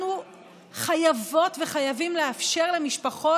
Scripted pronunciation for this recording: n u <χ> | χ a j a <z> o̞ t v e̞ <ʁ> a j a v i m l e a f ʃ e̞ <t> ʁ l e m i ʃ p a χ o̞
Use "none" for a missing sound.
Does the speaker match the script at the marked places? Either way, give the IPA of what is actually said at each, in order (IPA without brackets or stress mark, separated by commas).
none, v, χ, none